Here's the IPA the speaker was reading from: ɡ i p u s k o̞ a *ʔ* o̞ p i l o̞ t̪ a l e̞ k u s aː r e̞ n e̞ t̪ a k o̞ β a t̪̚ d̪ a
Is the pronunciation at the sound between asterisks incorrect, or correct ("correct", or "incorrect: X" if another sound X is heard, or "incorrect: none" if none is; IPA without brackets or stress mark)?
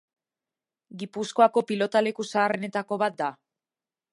incorrect: k